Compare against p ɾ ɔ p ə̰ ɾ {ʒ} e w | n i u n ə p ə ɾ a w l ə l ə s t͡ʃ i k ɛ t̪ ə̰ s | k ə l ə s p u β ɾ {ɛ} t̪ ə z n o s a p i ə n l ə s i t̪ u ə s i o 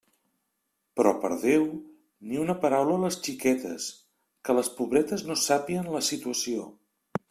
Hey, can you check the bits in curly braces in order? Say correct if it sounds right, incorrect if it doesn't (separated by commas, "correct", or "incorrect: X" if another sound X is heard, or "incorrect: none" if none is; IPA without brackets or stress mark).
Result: incorrect: ð, correct